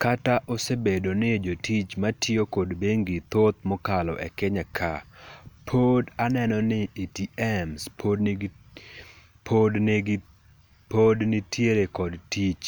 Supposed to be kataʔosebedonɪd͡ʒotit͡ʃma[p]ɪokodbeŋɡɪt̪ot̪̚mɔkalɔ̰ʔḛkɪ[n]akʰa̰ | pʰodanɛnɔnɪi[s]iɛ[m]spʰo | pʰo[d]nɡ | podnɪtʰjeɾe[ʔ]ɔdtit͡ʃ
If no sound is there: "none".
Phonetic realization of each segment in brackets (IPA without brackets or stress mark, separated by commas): t, ɲ, t, m, d, k